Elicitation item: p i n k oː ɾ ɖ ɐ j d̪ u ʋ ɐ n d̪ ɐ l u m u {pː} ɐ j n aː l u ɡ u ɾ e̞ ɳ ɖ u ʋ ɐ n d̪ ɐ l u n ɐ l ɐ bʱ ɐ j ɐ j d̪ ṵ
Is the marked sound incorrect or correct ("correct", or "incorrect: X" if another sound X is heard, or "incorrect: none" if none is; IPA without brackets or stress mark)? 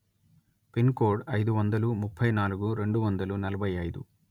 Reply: incorrect: pʰː